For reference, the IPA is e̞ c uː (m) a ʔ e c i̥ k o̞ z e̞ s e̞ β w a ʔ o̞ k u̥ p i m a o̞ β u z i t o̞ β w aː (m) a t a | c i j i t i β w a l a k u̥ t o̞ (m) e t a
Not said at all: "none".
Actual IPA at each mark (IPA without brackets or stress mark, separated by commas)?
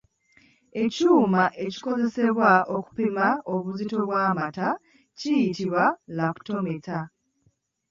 m, m, m